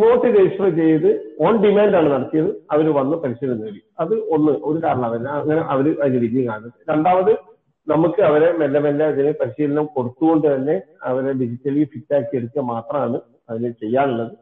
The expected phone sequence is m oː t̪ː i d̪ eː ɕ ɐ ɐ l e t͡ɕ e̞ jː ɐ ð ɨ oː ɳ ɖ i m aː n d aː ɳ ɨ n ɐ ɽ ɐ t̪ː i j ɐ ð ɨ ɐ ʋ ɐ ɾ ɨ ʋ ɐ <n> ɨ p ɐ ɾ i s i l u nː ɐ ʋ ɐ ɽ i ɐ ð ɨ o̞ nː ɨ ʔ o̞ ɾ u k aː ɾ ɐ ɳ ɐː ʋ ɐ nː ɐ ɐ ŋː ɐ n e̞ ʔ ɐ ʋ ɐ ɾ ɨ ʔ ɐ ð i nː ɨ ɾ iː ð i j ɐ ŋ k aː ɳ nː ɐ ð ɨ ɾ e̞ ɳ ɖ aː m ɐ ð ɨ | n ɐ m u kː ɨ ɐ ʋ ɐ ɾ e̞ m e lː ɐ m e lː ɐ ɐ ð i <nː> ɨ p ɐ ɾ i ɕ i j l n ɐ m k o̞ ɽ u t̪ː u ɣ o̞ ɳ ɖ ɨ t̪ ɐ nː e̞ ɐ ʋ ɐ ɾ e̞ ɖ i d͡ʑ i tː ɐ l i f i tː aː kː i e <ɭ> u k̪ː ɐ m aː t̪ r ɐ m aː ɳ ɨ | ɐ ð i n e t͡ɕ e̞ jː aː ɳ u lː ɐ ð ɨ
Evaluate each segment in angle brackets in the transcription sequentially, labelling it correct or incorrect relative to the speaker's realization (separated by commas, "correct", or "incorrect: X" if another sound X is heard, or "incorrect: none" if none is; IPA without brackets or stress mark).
incorrect: nː, incorrect: n, incorrect: ɽ